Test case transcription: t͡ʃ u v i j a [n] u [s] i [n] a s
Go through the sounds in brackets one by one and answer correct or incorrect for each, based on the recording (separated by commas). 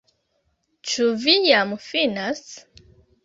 incorrect, incorrect, correct